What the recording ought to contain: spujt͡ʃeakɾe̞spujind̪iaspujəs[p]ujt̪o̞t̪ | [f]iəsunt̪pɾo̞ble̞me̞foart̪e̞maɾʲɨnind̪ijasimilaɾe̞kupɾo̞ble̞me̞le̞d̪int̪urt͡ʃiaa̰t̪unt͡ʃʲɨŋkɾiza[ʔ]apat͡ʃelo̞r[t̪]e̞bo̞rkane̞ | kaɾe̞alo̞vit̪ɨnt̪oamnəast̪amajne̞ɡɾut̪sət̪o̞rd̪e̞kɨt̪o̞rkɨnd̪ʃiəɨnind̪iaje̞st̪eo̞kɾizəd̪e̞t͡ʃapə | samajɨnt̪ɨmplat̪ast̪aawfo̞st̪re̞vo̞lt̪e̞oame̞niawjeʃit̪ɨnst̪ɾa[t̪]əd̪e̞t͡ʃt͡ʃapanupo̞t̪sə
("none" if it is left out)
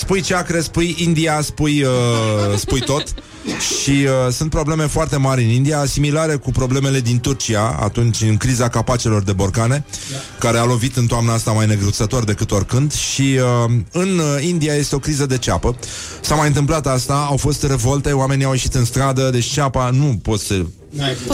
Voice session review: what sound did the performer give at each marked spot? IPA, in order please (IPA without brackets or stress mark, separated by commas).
p, ʃ, k, d̪, d̪